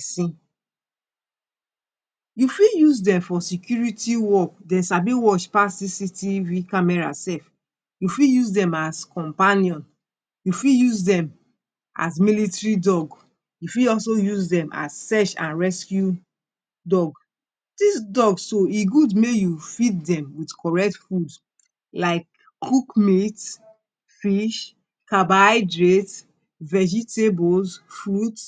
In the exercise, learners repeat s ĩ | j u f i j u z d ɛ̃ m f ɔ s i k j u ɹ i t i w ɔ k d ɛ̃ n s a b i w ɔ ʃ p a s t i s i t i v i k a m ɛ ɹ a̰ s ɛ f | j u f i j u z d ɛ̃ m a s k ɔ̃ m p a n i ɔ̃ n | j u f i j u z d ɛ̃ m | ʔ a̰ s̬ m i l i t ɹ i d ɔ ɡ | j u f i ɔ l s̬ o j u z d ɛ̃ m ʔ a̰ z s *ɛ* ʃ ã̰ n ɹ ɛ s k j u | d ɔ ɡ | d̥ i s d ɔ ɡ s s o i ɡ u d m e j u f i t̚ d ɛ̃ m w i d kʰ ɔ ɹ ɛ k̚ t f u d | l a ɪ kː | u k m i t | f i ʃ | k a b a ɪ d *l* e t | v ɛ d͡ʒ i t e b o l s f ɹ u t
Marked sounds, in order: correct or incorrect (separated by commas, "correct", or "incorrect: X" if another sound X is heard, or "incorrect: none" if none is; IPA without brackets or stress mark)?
correct, incorrect: ɹ